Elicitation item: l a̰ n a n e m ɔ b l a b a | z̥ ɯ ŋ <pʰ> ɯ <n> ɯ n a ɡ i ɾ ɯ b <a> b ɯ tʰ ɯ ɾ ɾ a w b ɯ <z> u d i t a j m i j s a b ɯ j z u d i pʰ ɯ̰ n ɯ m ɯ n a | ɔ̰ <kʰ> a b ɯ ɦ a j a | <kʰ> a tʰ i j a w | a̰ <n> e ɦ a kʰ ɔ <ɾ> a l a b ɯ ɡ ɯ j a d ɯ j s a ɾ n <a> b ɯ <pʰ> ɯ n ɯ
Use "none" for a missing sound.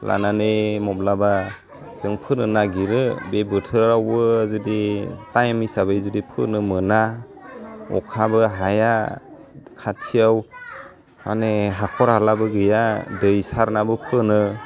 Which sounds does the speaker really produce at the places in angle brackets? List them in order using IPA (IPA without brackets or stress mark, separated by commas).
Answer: pʰ, n, e, z, kʰ, kʰ, n, ɾ, a, pʰ